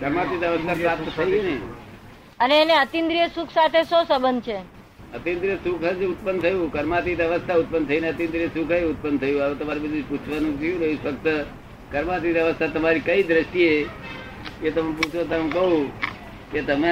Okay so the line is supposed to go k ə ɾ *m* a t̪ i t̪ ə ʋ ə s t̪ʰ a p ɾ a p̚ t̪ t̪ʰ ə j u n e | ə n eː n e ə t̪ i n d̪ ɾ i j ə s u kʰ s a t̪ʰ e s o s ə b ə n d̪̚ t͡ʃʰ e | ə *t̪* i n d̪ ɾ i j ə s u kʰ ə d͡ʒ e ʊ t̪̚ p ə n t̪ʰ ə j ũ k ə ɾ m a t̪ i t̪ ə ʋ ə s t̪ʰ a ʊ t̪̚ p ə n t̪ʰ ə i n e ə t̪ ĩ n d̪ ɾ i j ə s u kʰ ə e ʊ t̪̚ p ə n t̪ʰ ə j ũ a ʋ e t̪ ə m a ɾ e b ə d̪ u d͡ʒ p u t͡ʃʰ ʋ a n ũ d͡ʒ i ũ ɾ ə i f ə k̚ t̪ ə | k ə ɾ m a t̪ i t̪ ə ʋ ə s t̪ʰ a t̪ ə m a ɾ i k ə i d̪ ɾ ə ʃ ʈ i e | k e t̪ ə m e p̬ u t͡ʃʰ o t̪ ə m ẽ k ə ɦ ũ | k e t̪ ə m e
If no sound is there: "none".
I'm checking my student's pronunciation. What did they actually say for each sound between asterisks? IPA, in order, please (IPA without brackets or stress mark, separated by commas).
m, t̪